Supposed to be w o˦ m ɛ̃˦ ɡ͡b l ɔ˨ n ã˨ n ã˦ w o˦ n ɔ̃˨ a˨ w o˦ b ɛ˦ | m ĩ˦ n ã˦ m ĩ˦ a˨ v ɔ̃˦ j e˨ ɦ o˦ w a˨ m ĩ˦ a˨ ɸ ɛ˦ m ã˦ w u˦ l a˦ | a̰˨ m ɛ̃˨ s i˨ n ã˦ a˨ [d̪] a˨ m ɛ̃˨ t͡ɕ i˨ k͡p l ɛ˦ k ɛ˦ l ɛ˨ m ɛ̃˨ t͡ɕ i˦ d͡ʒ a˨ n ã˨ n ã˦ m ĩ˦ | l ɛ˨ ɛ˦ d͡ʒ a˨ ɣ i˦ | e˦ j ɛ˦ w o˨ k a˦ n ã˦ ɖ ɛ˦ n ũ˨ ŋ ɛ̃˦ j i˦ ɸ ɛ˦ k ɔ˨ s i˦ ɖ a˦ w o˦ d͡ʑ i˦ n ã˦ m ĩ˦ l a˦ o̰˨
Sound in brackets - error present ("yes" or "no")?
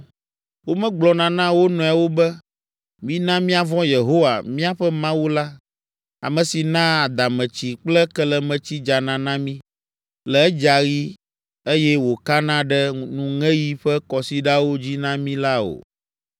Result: no